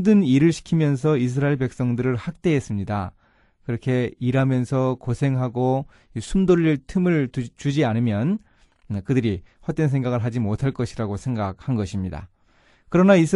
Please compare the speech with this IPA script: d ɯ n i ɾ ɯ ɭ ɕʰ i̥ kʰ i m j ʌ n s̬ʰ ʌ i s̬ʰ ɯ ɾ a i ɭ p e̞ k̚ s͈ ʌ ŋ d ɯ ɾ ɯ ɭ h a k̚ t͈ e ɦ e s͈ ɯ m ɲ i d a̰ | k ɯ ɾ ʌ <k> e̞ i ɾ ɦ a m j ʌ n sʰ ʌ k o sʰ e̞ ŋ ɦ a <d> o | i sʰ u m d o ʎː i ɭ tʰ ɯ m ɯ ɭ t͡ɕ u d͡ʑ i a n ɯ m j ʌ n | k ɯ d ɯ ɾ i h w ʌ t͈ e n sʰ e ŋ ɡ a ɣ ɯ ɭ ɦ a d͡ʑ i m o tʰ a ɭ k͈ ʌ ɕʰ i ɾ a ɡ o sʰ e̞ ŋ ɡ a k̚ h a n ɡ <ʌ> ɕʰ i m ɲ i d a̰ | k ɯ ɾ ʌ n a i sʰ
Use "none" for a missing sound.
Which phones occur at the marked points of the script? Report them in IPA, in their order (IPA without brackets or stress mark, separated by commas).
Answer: kʰ, ɡ, ʌ